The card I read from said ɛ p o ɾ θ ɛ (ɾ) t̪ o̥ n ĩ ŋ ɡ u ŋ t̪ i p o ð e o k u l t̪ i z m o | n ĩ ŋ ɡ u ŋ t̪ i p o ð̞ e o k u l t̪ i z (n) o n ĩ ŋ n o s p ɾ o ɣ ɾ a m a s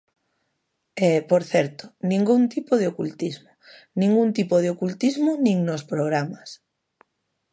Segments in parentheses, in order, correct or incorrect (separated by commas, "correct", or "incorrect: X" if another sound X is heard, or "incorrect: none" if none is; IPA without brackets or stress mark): correct, incorrect: m